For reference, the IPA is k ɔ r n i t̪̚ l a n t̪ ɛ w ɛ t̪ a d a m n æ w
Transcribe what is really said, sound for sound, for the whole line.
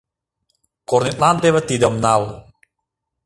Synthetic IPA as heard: k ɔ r n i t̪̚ l a n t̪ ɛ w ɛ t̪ i d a m n a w